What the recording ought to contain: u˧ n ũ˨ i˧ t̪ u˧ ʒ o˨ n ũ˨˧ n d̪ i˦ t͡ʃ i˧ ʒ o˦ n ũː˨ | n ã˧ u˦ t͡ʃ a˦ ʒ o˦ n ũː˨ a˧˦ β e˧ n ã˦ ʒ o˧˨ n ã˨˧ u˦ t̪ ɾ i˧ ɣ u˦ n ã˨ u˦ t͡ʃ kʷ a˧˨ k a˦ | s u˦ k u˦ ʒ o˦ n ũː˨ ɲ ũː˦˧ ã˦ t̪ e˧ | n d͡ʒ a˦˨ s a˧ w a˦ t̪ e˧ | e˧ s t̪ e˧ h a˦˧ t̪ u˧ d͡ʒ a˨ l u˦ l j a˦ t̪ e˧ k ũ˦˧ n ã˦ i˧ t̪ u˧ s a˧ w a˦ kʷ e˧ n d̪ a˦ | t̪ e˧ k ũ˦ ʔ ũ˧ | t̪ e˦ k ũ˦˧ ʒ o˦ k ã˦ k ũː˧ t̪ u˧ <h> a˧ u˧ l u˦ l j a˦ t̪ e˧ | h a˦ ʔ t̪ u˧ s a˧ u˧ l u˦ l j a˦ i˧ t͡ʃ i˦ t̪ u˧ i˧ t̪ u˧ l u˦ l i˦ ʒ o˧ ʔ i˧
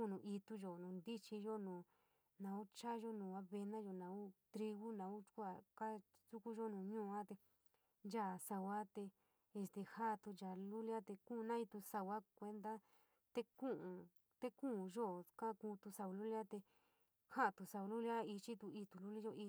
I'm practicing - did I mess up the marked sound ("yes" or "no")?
yes